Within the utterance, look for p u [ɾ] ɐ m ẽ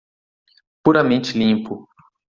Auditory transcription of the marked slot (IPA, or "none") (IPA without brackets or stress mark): ɾ